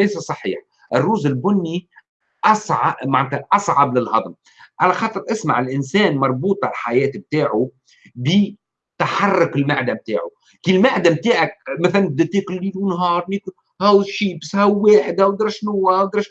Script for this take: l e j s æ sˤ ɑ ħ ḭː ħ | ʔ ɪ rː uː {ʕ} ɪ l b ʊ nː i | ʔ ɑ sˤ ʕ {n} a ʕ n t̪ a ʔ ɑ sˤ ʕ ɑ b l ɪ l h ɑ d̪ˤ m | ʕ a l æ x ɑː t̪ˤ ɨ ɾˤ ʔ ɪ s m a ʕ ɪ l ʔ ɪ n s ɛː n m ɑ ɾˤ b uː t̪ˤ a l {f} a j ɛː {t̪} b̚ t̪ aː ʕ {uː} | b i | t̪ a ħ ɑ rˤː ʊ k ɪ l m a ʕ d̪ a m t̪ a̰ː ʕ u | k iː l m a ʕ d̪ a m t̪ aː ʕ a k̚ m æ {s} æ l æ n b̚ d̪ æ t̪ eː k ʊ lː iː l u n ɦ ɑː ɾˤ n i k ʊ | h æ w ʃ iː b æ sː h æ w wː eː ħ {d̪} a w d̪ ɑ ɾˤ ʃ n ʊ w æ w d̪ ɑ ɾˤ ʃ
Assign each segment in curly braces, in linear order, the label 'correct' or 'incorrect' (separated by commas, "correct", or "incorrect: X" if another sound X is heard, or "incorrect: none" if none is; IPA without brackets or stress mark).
incorrect: z, incorrect: m, incorrect: ħ, correct, incorrect: u, incorrect: θ, correct